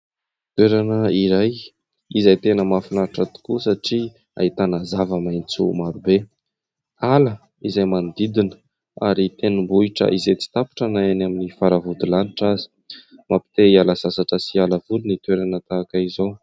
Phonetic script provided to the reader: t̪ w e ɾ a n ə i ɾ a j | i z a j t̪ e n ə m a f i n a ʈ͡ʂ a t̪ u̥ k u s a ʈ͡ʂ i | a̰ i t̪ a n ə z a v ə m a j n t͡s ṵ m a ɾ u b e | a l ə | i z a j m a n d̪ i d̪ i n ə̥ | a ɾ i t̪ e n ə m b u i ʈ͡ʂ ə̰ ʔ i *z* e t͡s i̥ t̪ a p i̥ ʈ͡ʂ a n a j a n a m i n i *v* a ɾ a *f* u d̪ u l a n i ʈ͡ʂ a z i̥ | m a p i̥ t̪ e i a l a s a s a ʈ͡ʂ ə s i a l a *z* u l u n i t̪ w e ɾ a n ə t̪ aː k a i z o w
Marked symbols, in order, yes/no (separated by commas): yes, no, no, no